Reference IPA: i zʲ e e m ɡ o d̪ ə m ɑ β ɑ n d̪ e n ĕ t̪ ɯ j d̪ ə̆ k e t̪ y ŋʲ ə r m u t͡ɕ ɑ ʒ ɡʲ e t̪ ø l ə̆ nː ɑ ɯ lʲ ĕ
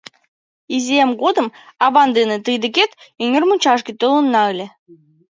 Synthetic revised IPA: i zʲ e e m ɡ o d̪ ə m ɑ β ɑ n d̪ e n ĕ t̪ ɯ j d̪ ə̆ k e t̪ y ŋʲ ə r m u t͡ɕ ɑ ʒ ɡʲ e t̪ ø l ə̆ nː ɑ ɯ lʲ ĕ